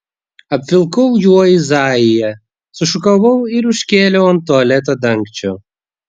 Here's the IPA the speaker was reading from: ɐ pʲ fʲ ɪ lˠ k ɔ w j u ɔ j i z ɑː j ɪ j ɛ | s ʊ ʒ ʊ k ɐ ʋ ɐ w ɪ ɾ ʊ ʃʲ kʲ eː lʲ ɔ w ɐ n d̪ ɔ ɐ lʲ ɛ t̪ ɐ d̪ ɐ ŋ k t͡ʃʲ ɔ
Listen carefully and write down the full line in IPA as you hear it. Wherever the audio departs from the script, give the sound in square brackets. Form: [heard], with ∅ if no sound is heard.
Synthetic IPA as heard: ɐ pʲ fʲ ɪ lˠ k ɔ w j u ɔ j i z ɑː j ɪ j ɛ | s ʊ [ʃ] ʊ k ɐ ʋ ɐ w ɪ ɾ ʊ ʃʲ kʲ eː lʲ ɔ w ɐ n [t̪] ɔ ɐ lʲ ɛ t̪ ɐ d̪ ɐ ŋ k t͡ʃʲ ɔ